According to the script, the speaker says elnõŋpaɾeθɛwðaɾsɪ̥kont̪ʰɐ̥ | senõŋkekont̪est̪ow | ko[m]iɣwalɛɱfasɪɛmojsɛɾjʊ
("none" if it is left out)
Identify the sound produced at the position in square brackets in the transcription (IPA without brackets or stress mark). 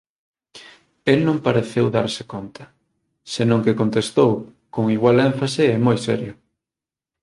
ŋ